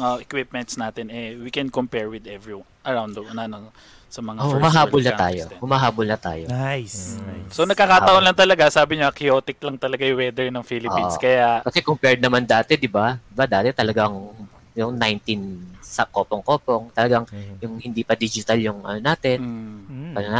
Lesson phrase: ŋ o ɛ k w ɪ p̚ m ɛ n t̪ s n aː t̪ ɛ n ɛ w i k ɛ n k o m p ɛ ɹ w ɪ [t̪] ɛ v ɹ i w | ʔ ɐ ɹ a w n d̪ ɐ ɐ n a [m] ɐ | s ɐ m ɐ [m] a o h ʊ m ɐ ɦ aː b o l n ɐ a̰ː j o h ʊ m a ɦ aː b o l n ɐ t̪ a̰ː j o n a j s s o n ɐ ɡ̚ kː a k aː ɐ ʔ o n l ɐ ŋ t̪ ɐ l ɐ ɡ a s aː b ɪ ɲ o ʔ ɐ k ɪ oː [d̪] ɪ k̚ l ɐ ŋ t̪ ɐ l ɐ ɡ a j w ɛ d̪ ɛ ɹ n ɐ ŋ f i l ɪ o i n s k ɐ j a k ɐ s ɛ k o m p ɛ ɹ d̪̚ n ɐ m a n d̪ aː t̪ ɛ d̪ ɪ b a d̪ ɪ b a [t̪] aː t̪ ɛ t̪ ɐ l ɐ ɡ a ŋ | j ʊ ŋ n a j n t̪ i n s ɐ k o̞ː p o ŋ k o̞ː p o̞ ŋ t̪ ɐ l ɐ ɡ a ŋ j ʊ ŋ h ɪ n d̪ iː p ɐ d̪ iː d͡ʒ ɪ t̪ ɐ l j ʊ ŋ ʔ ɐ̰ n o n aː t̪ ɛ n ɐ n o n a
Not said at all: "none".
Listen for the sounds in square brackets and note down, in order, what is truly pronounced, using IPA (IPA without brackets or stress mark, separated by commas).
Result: d̪, n, ŋ, t̪, d̪